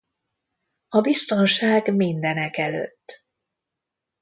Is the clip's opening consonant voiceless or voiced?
voiced